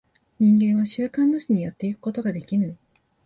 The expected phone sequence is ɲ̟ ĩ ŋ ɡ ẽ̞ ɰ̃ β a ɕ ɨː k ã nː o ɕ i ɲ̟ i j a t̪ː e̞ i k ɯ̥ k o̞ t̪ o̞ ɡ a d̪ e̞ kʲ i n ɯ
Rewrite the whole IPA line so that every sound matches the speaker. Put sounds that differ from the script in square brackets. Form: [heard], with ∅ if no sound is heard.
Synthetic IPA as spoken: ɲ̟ ĩ ŋ ɡ ẽ̞ ɰ̃ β a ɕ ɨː k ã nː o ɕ i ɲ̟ i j a t̪ː e̞ i k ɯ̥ k o̞ t̪ o̞ ɡ a d̪ e̞ kʲ i n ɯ